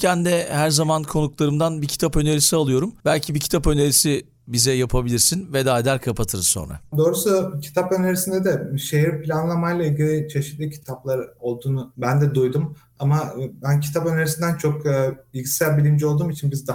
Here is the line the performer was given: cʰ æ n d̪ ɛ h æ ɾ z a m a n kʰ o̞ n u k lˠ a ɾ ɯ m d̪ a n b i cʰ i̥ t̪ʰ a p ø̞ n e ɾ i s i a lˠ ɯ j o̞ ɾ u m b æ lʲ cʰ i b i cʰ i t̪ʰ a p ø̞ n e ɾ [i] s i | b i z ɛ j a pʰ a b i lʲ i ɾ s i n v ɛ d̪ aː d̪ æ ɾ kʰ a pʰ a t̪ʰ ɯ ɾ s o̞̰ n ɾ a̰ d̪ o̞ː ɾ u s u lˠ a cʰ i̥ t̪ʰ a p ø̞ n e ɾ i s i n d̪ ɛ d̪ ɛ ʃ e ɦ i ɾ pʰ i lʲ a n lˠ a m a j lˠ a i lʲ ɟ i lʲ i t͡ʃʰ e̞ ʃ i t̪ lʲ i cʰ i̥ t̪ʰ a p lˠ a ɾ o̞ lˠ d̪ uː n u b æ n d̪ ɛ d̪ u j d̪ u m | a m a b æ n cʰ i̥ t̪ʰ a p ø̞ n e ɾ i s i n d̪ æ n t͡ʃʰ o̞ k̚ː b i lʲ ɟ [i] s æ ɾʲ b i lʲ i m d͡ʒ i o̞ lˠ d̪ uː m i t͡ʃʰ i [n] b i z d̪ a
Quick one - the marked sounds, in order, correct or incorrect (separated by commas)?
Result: correct, correct, correct